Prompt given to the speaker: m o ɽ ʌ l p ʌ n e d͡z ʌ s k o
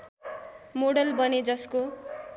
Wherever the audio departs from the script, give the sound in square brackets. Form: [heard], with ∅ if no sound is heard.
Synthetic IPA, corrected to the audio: m o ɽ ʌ l [b] ʌ n e d͡z ʌ s k o